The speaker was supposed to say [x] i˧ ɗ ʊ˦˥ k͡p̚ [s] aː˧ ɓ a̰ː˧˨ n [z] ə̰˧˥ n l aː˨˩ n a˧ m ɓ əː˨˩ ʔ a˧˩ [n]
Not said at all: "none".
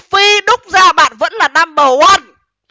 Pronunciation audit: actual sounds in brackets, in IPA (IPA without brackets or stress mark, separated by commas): f, z, v, n